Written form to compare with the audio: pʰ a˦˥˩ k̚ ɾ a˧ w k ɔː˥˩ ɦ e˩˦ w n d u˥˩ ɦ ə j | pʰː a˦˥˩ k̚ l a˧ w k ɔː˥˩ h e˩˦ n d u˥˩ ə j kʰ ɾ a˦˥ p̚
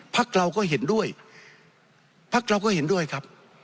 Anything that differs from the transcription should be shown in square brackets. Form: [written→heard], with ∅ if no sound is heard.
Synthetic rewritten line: pʰ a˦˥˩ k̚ ɾ a˧ w k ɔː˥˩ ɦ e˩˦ [w→∅] n d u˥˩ [ɦ→∅] ə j | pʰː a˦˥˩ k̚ [l→ɾ] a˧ w k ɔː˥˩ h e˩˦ n d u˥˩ ə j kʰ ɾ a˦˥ p̚